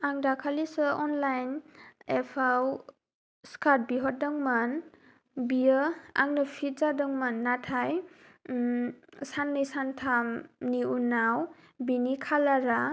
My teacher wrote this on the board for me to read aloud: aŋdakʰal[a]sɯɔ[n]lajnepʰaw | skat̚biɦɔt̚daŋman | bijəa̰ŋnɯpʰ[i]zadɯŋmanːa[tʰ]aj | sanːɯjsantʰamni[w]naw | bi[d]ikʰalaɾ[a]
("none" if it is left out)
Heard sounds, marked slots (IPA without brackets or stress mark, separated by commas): i, n, i, tʰ, u, n, a